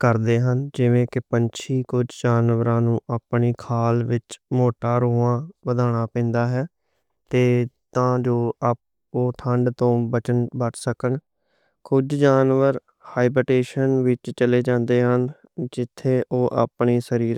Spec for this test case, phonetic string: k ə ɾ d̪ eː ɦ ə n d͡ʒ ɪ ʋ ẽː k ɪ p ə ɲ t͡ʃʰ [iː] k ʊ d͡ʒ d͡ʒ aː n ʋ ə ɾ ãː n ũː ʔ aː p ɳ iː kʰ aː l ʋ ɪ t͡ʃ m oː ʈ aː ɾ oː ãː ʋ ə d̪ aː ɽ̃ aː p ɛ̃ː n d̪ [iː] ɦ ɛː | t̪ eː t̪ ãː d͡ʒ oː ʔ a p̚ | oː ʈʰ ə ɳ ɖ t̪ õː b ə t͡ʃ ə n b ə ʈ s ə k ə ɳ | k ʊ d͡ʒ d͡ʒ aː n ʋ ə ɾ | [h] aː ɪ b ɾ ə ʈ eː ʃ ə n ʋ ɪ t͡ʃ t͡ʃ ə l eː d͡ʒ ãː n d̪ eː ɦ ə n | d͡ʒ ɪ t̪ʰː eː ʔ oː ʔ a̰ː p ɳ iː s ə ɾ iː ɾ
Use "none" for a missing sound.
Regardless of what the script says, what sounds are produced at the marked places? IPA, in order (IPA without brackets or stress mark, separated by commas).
iː, aː, h